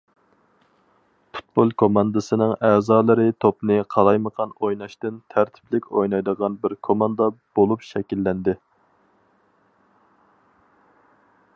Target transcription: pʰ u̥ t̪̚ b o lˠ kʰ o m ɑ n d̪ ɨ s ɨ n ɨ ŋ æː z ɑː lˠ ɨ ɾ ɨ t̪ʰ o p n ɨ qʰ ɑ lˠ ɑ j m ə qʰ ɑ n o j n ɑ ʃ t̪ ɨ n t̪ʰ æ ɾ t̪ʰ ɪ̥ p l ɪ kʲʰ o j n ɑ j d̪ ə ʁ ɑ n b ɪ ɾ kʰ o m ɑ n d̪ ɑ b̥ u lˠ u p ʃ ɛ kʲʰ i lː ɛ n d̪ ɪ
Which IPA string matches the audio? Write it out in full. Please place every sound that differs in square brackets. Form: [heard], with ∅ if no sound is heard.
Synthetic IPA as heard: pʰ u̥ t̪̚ b o lˠ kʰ o m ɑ n d̪ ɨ s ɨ n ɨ ŋ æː z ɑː lˠ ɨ ɾ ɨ t̪ʰ o p n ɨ qʰ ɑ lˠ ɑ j m ə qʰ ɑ n o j n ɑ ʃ t̪ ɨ n t̪ʰ æ ɾ t̪ʰ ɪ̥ p l ɪ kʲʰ o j n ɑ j d̪ ə ʁ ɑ n b ɪ ɾ kʰ o m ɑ n d̪ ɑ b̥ [o] lˠ u p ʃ ɛ [kʲ] i lː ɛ n d̪ ɪ